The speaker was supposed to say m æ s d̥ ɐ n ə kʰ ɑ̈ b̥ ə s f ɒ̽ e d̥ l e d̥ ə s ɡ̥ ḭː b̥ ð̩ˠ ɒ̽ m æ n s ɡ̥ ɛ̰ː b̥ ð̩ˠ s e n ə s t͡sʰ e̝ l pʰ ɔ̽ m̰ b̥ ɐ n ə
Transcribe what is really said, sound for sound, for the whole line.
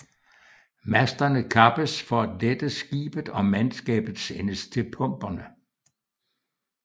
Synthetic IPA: m æ s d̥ ɐ n ə kʰ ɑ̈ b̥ ə s f ɒ̽ æ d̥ l e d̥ ə s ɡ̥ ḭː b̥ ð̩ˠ ɒ̽ m æ n s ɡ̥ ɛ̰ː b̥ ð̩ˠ s e n ə s t͡sʰ e̝ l pʰ ɔ̽ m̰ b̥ ɐ n ə